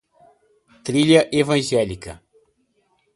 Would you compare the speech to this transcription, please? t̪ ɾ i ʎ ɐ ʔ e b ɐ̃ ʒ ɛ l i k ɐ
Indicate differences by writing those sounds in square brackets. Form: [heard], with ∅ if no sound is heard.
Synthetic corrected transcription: t̪ ɾ i ʎ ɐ ʔ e [v] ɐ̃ ʒ ɛ l i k ɐ